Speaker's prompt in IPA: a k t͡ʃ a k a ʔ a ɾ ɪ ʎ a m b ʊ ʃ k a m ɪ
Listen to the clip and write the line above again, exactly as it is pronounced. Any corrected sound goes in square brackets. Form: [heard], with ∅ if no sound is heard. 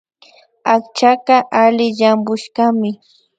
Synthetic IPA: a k t͡ʃ a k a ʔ a [l] ɪ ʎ a m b ʊ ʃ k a m ɪ